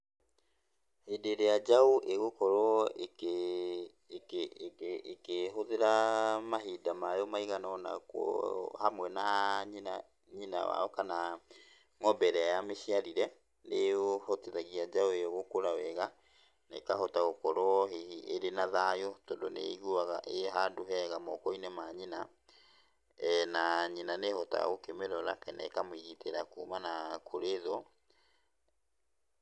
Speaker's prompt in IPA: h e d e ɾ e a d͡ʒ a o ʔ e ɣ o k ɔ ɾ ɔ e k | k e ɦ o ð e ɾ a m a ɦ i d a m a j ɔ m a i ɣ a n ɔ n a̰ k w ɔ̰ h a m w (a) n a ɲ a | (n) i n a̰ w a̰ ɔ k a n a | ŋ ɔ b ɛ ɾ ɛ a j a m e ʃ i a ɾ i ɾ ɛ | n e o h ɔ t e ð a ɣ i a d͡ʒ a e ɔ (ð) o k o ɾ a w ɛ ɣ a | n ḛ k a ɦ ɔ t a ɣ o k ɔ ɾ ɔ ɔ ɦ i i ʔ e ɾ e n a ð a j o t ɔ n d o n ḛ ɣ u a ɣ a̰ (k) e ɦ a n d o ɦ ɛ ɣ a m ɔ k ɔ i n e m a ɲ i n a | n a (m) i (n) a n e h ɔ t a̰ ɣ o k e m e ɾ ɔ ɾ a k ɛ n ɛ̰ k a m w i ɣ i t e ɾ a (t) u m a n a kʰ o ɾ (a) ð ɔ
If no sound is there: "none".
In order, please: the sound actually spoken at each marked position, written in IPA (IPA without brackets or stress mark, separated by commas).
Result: ɛ, ɲ, ɣ, ʔ, ɲ, n, k, e